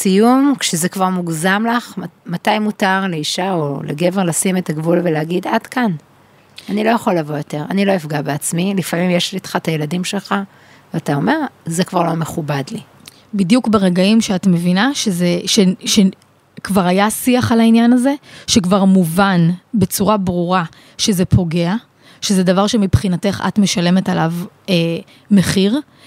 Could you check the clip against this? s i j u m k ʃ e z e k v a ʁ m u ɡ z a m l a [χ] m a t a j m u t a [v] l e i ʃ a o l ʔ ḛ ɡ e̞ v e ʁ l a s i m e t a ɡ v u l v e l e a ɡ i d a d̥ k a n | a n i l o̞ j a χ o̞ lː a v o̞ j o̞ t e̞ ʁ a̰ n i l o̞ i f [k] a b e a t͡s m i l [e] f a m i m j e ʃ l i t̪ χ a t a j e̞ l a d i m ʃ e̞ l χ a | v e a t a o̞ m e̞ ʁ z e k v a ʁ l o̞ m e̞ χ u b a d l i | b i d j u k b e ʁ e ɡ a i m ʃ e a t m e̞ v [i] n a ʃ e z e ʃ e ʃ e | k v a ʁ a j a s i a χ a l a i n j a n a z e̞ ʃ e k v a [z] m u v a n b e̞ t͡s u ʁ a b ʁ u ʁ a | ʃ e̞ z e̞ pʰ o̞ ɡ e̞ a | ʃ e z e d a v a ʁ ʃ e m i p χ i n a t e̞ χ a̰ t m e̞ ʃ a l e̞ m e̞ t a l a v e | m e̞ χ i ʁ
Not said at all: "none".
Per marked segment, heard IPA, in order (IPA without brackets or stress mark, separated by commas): χ, ʁ, ɡ, i, i, ʁ